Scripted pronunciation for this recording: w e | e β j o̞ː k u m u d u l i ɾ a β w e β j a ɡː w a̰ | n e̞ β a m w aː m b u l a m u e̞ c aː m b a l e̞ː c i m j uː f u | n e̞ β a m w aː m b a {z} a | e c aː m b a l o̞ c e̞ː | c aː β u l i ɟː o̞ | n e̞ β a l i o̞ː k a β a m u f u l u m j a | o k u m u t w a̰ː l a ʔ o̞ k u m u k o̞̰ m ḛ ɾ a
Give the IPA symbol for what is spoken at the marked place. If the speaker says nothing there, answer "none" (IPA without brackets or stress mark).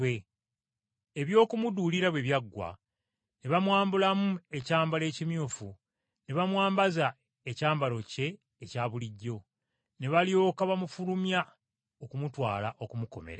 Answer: z